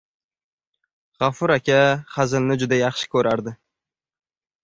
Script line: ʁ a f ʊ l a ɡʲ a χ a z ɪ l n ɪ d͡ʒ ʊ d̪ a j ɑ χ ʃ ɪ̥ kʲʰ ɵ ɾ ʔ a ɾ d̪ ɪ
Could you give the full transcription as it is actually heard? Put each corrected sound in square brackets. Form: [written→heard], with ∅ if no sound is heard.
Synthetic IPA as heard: ʁ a f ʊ [l→ɾ] a [ɡʲ→kʲ] a χ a z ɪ l n ɪ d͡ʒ ʊ d̪ a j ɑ χ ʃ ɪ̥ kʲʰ ɵ ɾ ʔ a ɾ d̪ ɪ

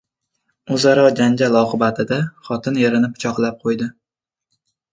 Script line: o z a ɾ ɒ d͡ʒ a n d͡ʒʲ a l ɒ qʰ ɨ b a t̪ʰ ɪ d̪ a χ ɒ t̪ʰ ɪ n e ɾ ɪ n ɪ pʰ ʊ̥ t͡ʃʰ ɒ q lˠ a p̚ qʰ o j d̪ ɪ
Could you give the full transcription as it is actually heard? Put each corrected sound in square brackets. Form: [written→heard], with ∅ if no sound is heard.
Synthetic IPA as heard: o z a ɾ ɒ d͡ʒ a n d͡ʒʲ a l ɒ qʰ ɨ b a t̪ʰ ɪ d̪ a χ ɒ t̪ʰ ɪ n e ɾ ɪ n ɪ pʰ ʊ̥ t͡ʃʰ ɒ q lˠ a p̚ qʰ o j d̪ ɪ

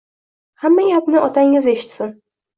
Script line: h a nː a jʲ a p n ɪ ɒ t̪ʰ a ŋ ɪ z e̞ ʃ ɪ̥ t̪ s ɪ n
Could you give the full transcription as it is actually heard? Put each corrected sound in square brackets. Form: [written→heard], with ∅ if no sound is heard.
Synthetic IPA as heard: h a [nː→mː] a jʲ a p n ɪ ɒ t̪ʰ a ŋ ɪ z e̞ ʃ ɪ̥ t̪ s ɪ n

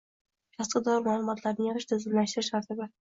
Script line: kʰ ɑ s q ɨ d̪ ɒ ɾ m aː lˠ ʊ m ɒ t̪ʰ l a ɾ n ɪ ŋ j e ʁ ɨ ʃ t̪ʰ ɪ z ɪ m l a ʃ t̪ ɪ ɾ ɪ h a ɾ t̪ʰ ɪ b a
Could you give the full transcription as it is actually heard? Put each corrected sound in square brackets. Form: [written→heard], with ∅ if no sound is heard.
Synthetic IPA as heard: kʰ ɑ s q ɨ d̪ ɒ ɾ m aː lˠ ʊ m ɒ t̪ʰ l a ɾ n ɪ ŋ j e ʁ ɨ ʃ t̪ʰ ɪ z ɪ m l a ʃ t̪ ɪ ɾ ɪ [h→ʃ] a ɾ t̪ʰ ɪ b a

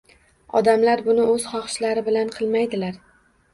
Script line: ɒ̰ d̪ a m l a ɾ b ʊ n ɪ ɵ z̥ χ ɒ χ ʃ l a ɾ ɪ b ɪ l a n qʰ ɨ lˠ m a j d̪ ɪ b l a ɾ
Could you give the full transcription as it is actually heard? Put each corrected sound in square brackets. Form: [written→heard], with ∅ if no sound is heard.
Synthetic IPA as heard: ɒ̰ d̪ a m l a ɾ b ʊ n ɪ ɵ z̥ χ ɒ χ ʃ l a ɾ ɪ b ɪ l a n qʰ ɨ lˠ m a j d̪ ɪ [b→∅] l a ɾ

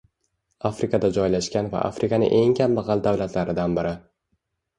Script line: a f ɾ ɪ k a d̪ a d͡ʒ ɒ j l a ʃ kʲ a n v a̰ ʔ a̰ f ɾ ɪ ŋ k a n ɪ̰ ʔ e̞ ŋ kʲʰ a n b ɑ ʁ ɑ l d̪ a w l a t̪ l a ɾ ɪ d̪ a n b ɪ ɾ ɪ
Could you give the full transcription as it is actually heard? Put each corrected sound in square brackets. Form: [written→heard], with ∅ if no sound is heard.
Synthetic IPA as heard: a f ɾ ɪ k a d̪ a d͡ʒ ɒ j l a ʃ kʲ a n v a̰ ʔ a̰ f ɾ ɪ [ŋ→∅] k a n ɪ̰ ʔ e̞ ŋ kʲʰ a [n→m] b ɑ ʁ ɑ l d̪ a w l a t̪ l a ɾ ɪ d̪ a n b ɪ ɾ ɪ

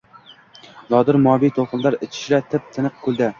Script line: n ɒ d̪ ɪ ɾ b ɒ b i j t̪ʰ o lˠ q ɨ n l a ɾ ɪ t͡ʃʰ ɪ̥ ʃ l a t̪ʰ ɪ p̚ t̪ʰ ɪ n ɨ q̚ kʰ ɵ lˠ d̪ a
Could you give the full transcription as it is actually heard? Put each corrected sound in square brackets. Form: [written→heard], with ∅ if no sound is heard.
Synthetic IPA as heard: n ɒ d̪ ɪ ɾ [b→m] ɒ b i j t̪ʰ o lˠ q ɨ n l a ɾ ɪ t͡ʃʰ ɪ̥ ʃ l a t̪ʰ ɪ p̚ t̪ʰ ɪ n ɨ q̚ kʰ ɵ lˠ d̪ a

